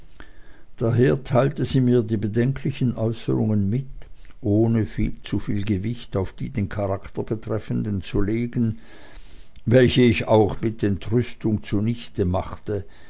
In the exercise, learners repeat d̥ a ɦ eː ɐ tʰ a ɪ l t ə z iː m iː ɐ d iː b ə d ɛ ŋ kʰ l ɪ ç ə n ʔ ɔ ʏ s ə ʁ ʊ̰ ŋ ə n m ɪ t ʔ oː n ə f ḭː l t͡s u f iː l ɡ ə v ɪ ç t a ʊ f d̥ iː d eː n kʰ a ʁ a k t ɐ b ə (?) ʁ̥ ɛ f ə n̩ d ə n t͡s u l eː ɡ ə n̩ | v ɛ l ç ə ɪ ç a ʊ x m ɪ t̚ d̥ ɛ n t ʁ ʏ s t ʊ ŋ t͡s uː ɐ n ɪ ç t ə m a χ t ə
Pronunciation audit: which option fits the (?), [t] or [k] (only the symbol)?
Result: t